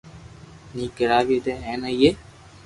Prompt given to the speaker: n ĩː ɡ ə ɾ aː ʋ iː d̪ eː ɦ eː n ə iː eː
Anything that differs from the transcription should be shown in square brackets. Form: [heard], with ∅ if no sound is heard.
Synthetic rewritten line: n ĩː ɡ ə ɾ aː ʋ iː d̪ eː ɦ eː n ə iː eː